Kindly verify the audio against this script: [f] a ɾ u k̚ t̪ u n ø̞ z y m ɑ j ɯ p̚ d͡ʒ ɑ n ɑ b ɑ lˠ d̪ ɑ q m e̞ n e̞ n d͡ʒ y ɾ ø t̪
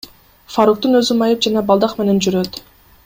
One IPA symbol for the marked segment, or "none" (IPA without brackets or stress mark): f